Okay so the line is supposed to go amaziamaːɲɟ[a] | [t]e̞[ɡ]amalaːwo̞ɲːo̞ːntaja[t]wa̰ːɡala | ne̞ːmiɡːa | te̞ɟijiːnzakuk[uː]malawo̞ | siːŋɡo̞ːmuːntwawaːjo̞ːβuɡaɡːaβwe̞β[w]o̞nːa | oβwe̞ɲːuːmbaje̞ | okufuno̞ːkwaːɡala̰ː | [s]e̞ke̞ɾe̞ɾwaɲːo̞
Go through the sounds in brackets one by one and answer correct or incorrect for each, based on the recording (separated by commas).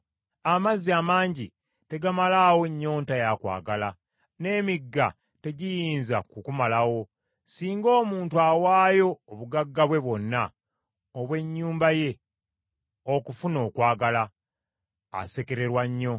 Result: incorrect, correct, correct, incorrect, incorrect, correct, correct